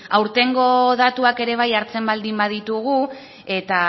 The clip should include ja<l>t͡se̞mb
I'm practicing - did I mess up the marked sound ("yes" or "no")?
yes